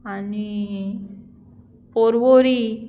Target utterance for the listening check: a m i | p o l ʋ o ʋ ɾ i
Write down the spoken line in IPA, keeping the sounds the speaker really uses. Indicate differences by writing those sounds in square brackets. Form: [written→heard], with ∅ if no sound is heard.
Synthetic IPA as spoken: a [m→n] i | p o [l→ɾ] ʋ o [ʋ→∅] ɾ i

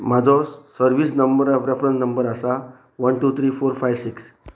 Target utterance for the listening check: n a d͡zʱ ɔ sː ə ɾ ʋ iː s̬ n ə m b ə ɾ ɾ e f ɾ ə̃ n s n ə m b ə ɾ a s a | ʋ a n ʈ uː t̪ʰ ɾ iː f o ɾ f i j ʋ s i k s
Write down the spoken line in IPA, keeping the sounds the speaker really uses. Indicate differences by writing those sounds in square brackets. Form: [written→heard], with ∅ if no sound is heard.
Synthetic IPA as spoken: [n→m] a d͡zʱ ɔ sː ə ɾ ʋ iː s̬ n ə m b ə ɾ ɾ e f ɾ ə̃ n s n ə m b ə ɾ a s a | ʋ [a→ə] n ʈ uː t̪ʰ ɾ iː f o ɾ f [i→a] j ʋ s i k s

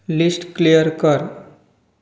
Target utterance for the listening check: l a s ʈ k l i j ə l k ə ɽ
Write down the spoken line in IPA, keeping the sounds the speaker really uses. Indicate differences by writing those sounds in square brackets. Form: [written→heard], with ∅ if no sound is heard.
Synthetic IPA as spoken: l [a→i] s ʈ k l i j ə [l→ɾ] k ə [ɽ→ɾ]

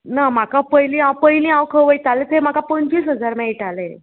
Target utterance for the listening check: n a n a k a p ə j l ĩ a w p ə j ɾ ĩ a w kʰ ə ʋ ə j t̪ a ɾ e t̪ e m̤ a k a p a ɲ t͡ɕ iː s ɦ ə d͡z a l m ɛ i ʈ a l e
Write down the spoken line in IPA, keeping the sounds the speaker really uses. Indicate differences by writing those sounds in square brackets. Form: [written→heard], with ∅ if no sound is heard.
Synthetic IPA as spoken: n a [n→m] a k a p ə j l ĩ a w p ə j [ɾ→l] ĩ a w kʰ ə ʋ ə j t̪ a [ɾ→l] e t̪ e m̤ a k a p [a→ə] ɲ t͡ɕ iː s ɦ ə d͡z a [l→ɾ] m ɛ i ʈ a l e

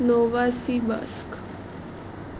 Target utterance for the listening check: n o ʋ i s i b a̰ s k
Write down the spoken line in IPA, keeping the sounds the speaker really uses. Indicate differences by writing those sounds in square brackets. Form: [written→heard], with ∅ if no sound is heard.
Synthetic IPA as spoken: n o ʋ [i→a] s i b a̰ s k

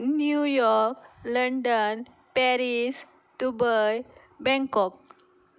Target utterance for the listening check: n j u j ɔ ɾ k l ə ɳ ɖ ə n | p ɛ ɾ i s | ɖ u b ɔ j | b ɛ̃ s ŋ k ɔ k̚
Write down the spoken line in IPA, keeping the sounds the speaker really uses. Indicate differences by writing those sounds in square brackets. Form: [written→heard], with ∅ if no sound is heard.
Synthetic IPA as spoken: n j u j ɔ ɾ k l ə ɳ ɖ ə n | p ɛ ɾ i s | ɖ u b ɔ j | b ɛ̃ [s→∅] ŋ k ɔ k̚

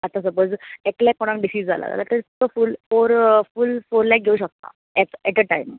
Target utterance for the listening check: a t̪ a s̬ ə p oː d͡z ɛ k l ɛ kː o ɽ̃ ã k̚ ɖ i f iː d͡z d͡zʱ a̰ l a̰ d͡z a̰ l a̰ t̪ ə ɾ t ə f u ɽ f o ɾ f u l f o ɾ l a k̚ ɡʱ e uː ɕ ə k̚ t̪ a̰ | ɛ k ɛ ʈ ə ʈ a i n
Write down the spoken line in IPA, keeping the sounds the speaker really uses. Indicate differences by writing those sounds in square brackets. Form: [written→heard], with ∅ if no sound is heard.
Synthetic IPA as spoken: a t̪ a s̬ ə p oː d͡z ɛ k l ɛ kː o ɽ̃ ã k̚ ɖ i [f→s] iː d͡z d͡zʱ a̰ l a̰ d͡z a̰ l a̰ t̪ ə ɾ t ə f u [ɽ→l] f o ɾ f u l f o ɾ l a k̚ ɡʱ e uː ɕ ə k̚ t̪ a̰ | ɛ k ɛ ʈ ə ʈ a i [n→m]

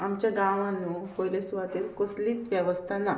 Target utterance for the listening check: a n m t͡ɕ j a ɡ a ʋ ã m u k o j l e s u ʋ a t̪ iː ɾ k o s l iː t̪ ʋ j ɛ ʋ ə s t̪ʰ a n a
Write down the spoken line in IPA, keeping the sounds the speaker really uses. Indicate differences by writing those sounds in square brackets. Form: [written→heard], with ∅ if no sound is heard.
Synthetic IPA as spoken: a [n→∅] m t͡ɕ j a ɡ a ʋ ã [m→n] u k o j l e s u ʋ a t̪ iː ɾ k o s l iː t̪ ʋ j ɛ ʋ ə s t̪ʰ a n a

